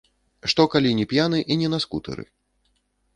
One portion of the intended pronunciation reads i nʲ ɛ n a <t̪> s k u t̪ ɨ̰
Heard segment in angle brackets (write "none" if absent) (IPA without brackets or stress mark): none